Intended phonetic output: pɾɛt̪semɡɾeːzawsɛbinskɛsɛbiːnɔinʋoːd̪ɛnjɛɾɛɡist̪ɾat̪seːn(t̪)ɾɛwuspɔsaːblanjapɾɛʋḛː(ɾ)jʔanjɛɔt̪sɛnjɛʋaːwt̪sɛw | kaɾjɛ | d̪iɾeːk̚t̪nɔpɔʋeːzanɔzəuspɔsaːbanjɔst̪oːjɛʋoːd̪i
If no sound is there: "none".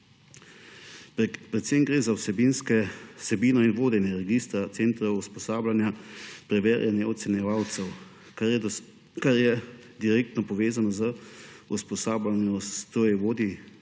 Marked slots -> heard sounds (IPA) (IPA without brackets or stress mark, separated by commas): t̪, ɾ